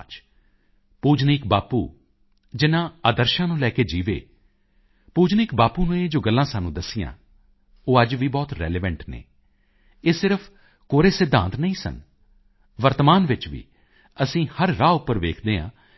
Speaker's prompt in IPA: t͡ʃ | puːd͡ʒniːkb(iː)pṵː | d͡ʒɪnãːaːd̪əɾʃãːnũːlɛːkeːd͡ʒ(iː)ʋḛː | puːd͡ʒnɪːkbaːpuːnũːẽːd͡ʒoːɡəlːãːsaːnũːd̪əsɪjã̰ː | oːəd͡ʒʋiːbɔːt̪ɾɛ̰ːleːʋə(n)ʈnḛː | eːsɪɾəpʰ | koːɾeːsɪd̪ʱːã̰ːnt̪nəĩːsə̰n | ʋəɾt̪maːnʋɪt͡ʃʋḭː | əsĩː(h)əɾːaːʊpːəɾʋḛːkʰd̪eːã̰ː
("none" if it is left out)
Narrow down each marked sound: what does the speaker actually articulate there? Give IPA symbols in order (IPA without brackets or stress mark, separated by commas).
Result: aː, iː, ɳ, h